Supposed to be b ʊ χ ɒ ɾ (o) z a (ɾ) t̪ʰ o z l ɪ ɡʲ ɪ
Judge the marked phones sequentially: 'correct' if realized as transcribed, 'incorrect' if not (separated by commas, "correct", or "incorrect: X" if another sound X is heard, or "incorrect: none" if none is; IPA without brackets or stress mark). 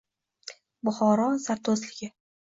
incorrect: ɒ, correct